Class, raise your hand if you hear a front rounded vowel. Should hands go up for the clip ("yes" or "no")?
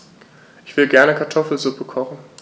no